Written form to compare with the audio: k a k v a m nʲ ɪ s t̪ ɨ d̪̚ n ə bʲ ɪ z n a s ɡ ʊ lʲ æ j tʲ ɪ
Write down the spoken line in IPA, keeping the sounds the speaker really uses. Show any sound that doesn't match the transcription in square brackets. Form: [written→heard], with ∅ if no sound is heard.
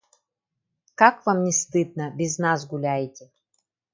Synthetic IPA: k a k v a m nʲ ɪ s t̪ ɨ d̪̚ n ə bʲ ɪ z n a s ɡ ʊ lʲ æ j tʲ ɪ